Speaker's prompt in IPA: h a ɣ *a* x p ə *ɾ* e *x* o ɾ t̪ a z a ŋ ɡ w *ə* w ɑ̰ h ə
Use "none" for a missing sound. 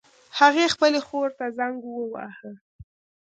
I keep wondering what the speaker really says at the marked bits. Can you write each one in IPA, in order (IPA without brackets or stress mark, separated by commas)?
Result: e, l, x, ə